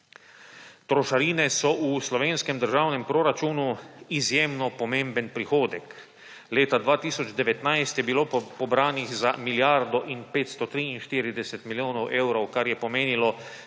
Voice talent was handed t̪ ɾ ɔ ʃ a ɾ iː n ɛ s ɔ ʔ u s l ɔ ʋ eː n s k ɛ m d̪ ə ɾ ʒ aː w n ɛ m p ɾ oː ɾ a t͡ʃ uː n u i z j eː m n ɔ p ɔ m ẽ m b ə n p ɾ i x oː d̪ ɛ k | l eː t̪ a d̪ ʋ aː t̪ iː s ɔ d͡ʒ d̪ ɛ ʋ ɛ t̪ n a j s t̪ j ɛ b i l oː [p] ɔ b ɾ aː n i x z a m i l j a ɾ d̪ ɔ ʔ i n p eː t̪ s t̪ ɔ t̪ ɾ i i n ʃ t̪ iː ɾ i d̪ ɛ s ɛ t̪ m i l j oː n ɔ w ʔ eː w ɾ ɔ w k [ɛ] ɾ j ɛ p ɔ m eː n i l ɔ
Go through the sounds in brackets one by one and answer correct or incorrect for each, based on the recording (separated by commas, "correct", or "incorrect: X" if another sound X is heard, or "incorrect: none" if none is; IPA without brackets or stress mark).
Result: correct, incorrect: a